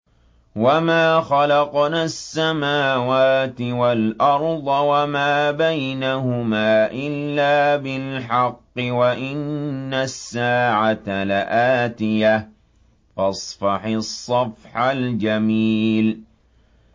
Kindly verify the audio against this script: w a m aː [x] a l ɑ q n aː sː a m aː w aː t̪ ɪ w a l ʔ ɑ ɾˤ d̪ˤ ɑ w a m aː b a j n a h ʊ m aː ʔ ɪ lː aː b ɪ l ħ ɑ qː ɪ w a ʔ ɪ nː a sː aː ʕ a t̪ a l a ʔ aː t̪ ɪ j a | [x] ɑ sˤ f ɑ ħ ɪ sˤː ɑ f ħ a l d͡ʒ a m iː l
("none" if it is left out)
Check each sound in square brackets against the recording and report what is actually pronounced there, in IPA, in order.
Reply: x, f

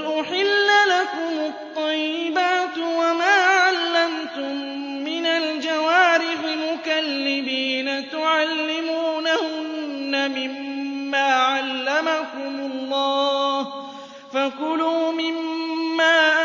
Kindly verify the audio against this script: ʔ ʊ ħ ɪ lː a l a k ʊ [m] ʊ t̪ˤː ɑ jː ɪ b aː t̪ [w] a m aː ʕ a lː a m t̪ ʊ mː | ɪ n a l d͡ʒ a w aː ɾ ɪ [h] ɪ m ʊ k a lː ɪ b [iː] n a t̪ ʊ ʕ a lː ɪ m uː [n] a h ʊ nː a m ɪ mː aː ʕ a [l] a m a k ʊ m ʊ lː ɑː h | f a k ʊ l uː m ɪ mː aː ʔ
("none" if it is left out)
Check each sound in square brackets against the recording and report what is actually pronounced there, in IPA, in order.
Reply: m, w, ħ, iː, n, lː

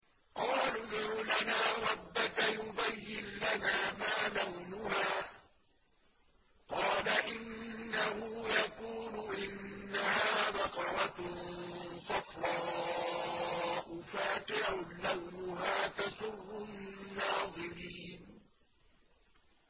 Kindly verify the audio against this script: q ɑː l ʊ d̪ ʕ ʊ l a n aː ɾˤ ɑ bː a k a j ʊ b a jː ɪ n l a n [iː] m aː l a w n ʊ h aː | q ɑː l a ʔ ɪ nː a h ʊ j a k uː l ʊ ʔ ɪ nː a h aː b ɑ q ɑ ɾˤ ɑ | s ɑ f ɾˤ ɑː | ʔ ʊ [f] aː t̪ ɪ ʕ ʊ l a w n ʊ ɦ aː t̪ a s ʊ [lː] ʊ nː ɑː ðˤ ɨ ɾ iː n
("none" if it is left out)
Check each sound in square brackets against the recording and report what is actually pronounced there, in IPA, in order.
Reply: aː, f, rː

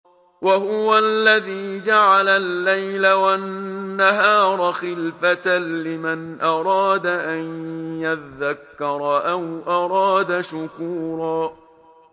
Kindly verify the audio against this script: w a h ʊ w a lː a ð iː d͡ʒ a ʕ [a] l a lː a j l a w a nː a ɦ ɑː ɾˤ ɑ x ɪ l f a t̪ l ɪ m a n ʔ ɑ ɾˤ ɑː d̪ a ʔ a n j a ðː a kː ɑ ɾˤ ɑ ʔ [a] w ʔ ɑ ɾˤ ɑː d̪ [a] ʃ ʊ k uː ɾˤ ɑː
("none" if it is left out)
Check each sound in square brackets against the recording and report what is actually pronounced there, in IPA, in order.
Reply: a, a, a

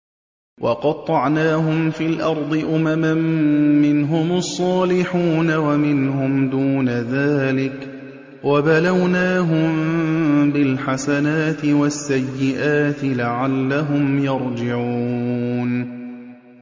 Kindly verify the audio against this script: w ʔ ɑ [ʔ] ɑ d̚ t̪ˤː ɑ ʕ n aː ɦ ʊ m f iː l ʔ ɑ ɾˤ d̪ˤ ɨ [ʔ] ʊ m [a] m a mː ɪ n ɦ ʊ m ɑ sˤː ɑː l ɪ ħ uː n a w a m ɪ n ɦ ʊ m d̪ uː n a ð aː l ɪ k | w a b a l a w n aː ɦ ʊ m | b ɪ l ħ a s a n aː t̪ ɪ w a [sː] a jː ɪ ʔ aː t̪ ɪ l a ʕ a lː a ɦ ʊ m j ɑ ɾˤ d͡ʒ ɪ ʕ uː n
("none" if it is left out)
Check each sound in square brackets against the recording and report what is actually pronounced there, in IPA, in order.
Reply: q, ʔ, a, sː

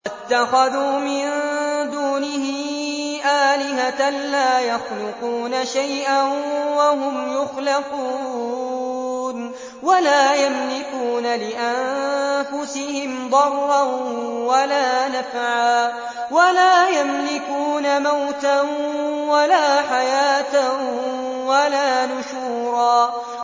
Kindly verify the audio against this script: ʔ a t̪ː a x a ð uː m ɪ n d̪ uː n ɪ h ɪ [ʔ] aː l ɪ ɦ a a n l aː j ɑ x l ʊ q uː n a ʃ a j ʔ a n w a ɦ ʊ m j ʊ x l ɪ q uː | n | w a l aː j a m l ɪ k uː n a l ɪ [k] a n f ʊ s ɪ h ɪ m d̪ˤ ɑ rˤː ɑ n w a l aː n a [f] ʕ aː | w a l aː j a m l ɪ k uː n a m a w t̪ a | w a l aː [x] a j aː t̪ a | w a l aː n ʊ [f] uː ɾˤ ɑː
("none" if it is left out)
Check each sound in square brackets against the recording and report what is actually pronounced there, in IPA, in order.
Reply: ʔ, ʔ, f, ħ, ʃ

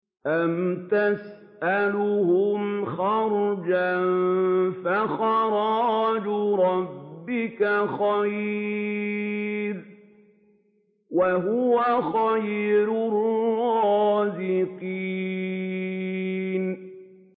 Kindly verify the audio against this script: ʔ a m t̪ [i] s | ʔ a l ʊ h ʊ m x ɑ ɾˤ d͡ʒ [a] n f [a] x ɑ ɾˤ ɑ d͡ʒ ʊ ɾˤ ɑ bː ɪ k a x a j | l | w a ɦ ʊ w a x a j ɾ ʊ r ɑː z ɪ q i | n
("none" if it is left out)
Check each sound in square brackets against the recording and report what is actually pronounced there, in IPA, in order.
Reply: a, a, a

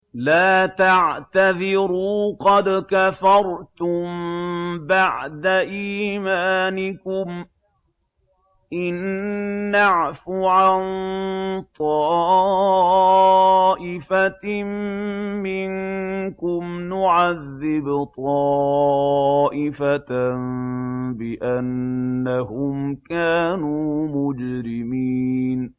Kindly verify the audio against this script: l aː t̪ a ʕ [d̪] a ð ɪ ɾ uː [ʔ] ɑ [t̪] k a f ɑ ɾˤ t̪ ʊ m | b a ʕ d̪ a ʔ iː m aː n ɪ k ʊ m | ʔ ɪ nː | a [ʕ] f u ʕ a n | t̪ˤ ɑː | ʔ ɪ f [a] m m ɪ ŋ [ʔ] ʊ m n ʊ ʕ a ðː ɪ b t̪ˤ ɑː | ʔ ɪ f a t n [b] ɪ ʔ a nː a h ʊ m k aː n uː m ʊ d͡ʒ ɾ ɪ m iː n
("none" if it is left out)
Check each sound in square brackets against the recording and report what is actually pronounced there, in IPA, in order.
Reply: t̪, q, d̪, ʕ, a, k, b

